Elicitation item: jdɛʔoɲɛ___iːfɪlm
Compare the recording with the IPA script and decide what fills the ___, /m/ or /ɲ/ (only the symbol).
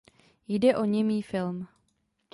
m